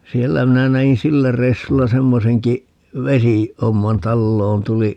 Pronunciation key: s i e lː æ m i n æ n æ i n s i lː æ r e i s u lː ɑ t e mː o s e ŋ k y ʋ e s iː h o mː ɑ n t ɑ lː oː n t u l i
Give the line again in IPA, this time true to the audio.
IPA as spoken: s i e lː æ m i n æ n æ i n s i lː æ r e i sː u lː ɑ s e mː o s e ŋ k i ʋ e s i h o mː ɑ n t ɑ lː oː n t u l i